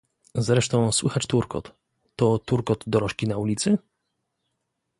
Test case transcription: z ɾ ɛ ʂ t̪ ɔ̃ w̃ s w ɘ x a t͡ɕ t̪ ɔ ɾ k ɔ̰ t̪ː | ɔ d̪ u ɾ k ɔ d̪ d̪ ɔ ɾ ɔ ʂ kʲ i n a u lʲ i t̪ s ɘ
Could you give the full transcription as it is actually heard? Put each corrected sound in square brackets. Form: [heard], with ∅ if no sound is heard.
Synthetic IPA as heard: z ɾ ɛ ʂ t̪ ɔ̃ w̃ s w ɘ x a t͡ɕ t̪ [u] ɾ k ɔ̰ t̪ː | ɔ [t̪] u ɾ k ɔ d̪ d̪ ɔ ɾ ɔ ʂ kʲ i n a u lʲ i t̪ s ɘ